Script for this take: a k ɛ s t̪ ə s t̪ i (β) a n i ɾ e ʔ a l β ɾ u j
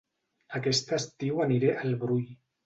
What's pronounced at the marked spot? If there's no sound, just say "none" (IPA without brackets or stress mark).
w